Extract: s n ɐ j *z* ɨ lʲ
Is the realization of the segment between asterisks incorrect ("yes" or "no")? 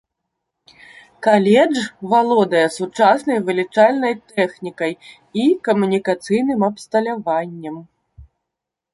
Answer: yes